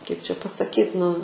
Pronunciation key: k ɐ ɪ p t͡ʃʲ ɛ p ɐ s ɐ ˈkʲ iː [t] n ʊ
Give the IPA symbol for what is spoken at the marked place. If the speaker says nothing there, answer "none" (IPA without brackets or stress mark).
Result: t